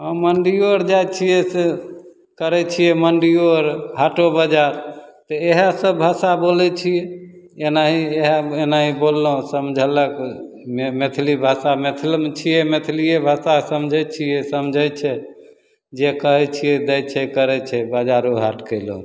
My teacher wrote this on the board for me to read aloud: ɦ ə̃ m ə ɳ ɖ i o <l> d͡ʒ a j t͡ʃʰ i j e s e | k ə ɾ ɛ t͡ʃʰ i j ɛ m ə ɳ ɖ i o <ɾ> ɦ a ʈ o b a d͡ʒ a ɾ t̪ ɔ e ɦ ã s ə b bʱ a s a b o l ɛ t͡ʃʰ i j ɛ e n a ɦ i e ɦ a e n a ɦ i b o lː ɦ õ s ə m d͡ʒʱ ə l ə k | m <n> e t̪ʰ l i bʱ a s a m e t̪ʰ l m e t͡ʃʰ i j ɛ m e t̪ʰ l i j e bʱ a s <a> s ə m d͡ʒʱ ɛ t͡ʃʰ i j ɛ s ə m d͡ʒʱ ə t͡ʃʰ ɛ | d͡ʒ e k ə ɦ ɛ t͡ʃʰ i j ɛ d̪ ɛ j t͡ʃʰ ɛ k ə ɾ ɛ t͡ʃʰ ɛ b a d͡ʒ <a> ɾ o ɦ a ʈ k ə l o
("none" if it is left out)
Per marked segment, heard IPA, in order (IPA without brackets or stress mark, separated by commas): ɾ, ɾ, m, a, a